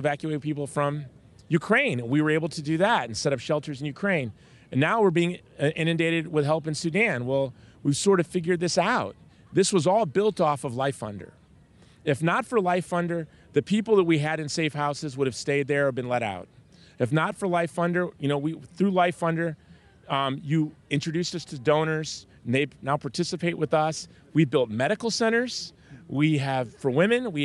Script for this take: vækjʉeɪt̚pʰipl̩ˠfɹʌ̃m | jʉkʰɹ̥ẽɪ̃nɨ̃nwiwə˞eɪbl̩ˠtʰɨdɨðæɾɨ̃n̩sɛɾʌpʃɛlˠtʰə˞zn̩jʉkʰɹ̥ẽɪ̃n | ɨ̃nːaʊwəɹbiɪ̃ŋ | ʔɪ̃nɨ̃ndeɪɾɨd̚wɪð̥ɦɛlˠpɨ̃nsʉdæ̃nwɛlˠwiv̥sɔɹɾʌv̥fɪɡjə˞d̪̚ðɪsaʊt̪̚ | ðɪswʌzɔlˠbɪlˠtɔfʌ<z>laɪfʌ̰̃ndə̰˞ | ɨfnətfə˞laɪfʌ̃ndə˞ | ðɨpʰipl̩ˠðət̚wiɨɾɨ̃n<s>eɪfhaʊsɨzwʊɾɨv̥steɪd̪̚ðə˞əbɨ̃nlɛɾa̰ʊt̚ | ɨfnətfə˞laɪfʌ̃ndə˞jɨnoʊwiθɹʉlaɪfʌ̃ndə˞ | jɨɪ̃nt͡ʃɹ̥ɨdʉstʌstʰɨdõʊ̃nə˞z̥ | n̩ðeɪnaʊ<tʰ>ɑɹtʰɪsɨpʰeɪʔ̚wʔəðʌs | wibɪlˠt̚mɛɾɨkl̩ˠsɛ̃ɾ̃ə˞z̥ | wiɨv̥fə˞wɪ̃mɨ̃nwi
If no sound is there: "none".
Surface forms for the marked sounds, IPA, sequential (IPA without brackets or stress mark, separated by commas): v, s, pʰ